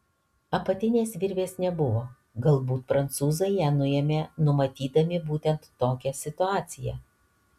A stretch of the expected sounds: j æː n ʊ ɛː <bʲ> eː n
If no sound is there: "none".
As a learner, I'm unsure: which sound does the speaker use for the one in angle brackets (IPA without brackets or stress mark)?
mʲ